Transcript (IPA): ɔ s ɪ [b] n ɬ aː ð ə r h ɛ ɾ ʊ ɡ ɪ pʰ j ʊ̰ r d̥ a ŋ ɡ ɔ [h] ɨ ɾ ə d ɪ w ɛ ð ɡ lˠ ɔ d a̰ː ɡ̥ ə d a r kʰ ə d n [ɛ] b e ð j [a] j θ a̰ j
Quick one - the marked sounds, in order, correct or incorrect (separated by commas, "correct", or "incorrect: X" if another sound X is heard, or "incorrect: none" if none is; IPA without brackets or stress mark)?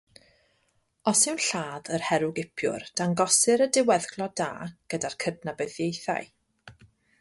incorrect: w, incorrect: s, incorrect: a, incorrect: e